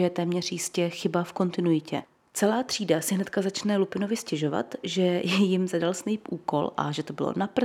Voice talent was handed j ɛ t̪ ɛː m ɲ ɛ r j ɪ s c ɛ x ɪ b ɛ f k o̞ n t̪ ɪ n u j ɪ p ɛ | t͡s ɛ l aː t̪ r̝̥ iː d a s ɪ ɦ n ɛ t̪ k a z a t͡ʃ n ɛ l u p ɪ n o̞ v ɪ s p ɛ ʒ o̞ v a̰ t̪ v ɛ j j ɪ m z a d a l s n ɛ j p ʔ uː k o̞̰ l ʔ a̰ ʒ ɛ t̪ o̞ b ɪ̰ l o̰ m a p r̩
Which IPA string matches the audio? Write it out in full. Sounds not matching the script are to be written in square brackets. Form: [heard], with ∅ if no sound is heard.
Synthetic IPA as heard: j ɛ t̪ ɛː m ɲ ɛ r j ɪ s c ɛ x ɪ b [a] f k o̞ n t̪ ɪ n u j ɪ [c] ɛ | t͡s ɛ l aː t̪ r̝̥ iː d a s ɪ ɦ n ɛ t̪ k a z a t͡ʃ n ɛ l u p ɪ n o̞ v ɪ s [c] ɛ ʒ o̞ v a̰ t̪ [ʒ] ɛ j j ɪ m z a d a l s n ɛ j p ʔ uː k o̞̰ l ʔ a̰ ʒ ɛ t̪ o̞ b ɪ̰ l o̰ [n] a p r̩